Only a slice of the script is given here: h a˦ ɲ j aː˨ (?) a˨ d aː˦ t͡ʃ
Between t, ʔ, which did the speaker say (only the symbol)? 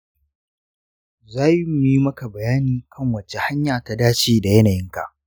t